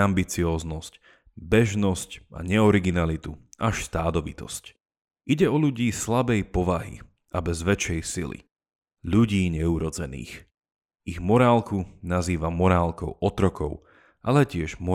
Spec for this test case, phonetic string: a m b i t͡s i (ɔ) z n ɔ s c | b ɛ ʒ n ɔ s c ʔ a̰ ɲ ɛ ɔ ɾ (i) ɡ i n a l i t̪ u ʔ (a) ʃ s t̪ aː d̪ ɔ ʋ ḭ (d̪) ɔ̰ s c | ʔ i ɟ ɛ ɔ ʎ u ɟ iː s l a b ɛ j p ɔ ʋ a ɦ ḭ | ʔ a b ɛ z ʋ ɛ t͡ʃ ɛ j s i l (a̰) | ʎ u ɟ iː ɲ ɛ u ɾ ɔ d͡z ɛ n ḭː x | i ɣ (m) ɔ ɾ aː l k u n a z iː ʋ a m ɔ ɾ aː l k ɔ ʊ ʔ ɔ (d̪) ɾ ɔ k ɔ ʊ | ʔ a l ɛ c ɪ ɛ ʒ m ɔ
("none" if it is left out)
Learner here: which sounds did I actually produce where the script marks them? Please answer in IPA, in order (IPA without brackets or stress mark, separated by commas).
ɔː, i, a, t̪, ḭ, m, t̪